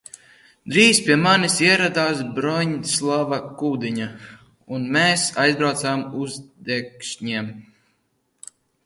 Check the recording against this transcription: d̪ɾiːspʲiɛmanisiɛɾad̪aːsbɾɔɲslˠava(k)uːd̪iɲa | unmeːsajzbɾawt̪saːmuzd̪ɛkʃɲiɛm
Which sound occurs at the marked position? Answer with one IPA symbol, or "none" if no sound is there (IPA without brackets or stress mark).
k